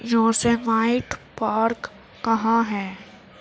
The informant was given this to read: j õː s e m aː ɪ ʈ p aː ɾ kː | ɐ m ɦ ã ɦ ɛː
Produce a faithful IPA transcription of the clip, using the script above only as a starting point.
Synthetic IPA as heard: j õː s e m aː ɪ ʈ p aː ɾ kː | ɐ ɦ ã ɦ ɛː